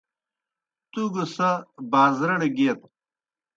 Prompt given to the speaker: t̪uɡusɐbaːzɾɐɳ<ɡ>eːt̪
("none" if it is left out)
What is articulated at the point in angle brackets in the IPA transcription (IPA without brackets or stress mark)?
ɡ